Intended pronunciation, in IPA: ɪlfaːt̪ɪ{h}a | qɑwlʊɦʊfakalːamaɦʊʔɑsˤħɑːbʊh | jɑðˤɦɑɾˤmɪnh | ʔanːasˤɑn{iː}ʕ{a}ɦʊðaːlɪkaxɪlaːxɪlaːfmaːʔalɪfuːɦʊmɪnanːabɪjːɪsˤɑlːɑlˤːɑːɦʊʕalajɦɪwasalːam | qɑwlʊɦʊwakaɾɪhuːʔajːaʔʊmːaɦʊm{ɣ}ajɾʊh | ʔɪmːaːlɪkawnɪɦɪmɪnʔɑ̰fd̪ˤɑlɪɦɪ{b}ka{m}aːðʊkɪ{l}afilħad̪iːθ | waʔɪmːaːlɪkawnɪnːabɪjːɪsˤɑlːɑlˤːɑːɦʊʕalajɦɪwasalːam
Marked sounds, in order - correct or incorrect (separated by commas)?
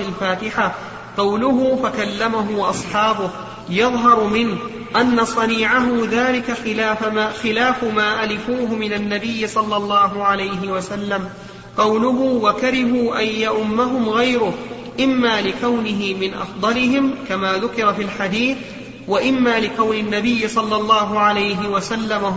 incorrect, correct, correct, correct, incorrect, correct, incorrect